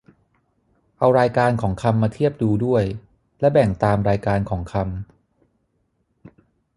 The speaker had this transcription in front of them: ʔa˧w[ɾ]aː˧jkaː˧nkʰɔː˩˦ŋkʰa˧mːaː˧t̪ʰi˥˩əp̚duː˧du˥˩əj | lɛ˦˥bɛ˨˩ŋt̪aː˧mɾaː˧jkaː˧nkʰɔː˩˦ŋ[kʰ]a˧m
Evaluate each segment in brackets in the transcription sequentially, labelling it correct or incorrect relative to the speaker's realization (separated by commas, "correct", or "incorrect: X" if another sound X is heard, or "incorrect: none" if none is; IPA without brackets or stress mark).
correct, correct